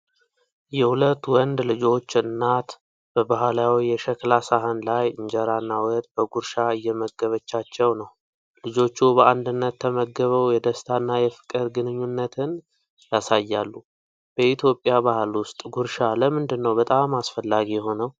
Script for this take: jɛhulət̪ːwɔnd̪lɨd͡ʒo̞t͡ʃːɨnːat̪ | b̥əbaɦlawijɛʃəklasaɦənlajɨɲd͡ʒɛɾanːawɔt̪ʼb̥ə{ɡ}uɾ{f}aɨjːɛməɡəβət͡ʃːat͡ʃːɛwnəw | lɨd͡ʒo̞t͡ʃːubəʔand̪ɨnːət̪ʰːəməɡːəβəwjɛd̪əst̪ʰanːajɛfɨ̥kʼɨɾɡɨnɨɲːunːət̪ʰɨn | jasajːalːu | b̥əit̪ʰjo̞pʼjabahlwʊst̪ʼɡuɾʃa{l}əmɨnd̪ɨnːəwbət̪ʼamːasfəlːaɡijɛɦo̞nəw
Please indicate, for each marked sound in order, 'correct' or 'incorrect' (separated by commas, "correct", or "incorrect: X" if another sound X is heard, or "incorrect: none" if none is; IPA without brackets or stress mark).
correct, incorrect: ʃ, correct